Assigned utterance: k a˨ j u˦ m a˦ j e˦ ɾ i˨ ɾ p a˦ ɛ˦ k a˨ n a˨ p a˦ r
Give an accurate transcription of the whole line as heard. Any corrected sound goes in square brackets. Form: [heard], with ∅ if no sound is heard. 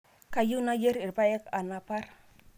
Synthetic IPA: k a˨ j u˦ [n] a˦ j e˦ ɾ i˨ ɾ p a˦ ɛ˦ k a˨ n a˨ p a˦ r